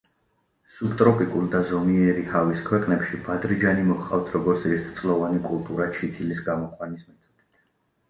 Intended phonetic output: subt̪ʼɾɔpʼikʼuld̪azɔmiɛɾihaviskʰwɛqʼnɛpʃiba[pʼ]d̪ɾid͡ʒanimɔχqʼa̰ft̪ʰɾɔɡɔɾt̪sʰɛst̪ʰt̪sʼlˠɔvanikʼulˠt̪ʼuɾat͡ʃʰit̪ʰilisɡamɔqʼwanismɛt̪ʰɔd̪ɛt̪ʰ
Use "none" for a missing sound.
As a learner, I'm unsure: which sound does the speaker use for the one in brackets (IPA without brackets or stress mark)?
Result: none